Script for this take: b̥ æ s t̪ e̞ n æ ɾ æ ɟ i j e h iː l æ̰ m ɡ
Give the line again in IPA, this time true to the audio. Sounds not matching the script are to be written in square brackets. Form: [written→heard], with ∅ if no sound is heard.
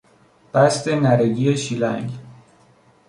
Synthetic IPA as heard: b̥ æ s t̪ e̞ n æ ɾ [æ→e] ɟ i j e [h→ʃ] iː l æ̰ [m→ŋ] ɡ